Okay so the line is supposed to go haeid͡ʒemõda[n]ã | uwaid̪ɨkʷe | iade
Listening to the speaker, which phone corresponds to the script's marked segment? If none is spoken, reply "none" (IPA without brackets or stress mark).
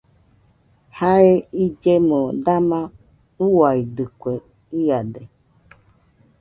m